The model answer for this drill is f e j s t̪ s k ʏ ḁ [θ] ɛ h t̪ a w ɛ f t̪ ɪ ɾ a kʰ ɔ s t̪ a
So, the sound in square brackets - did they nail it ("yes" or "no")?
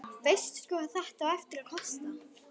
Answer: yes